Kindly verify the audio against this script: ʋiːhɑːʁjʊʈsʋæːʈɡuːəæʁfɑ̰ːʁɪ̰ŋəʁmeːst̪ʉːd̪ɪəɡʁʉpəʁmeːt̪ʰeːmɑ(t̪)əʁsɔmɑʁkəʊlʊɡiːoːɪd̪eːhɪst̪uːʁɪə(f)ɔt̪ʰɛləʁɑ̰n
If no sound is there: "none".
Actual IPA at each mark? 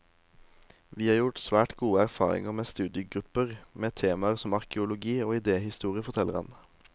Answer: none, f

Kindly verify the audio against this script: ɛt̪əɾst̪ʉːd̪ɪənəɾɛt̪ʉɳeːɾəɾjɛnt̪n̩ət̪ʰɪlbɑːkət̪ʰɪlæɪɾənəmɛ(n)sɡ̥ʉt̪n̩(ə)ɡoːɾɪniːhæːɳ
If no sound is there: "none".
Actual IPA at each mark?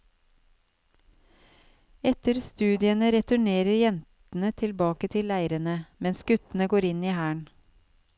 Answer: n, ə

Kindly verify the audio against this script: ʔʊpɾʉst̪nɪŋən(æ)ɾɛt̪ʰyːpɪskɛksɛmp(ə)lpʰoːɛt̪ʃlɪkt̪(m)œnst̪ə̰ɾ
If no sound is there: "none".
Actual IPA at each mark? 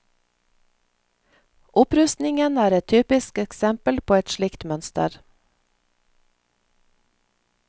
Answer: æː, ə, m

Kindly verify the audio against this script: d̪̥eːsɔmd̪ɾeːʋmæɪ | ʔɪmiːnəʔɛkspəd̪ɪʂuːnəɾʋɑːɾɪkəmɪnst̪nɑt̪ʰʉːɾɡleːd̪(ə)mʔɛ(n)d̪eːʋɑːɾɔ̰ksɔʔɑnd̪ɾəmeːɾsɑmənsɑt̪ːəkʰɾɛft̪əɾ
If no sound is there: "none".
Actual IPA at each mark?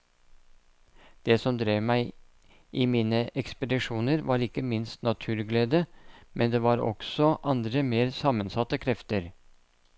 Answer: ə, n

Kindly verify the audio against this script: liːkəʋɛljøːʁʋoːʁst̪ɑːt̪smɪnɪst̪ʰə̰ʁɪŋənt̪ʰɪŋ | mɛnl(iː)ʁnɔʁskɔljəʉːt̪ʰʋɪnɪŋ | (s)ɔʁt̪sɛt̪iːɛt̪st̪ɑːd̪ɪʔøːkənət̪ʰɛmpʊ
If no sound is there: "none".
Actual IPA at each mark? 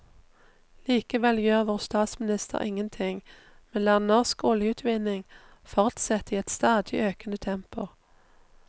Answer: æː, f

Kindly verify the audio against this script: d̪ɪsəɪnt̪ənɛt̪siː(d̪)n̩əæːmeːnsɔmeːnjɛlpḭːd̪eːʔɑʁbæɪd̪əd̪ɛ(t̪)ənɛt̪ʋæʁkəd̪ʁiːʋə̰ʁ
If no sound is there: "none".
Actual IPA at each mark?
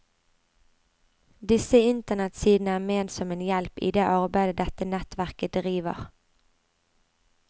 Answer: d̪, t̪

